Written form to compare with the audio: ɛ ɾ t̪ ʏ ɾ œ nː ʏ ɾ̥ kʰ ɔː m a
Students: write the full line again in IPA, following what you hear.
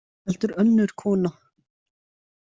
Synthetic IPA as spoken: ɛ l t̪ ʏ ɾ œ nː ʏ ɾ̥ kʰ ɔː n a